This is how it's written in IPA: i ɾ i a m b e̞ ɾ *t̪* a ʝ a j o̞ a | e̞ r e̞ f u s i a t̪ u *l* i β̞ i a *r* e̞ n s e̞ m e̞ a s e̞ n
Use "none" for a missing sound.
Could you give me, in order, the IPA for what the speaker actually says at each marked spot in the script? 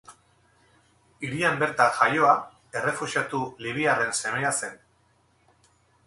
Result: t̪, l, r

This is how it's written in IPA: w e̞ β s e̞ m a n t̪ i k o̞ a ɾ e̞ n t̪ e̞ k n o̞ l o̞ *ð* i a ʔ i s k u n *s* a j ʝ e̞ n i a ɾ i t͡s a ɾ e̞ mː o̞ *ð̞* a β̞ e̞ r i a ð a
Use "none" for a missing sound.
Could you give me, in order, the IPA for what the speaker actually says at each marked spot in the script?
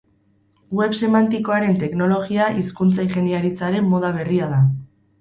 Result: ɣ, t͡s, ð̞

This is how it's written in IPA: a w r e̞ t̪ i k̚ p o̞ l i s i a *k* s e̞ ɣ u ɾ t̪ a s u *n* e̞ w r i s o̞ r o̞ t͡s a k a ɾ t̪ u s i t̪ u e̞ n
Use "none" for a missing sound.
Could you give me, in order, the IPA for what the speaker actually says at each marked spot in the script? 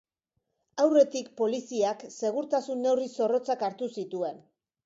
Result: k, nː

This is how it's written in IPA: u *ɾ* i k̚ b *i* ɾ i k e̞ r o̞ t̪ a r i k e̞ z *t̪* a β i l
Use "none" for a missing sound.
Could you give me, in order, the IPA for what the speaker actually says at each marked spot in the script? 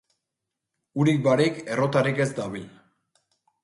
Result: ɾ, a, d̪

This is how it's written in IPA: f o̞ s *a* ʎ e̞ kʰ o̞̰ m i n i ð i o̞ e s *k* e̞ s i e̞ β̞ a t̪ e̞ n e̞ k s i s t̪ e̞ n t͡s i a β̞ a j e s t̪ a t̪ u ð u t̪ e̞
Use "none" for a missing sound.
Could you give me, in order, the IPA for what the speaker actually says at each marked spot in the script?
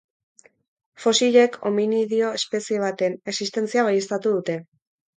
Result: i, p

